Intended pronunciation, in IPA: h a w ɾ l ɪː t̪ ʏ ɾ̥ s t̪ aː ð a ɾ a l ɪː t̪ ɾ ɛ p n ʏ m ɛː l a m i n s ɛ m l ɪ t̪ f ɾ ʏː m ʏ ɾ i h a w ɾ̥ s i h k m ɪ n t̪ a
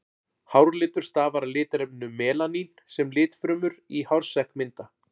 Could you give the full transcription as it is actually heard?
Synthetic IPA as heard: h a w ɾ l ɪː t̪ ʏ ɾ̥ s t̪ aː v a ɾ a l ɪː t̪ ɾ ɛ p n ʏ m ɛː l a n i n s ɛ m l ɪː t̪ f ɾ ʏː m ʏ ɾ i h a w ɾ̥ s ɛ h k m ɪ n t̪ a